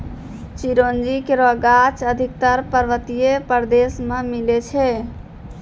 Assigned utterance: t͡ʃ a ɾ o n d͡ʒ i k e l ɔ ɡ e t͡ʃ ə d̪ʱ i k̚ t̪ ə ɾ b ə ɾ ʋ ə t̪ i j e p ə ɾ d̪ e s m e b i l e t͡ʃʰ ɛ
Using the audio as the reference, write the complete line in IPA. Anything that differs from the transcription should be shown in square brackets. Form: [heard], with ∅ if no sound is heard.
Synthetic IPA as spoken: t͡ʃ [i] ɾ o n d͡ʒ i k e [ɾ] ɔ ɡ [a] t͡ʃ ə d̪ʱ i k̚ t̪ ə ɾ [p] ə ɾ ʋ ə t̪ i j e p ə ɾ d̪ e s m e [m] i l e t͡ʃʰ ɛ